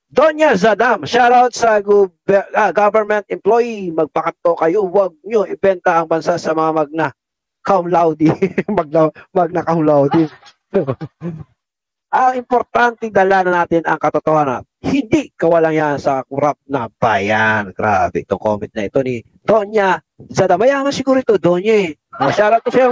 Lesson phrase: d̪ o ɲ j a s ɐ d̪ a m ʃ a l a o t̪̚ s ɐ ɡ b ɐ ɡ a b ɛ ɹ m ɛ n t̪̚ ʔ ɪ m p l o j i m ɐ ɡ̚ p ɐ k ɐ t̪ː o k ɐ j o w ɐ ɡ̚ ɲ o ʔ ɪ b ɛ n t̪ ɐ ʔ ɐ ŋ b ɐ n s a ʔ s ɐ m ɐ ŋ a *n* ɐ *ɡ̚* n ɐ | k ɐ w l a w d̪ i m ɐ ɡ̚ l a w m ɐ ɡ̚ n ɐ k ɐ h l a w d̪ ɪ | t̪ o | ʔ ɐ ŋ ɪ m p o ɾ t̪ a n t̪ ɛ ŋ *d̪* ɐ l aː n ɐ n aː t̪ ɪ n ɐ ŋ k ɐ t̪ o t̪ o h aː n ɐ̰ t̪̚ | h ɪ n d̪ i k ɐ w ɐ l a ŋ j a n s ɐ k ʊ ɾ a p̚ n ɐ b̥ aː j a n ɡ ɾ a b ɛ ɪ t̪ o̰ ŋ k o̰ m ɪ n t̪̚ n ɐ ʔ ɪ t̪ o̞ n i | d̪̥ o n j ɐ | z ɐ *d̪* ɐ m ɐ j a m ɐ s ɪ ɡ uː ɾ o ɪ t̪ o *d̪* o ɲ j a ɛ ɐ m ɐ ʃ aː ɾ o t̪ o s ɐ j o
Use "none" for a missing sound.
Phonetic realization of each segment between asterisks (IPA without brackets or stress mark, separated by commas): m, ɡ̚, d̪, d̪, d̪